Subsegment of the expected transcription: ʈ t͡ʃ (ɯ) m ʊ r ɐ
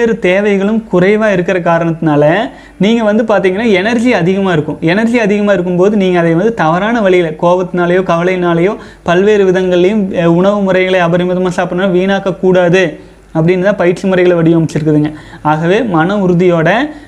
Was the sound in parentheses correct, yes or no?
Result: yes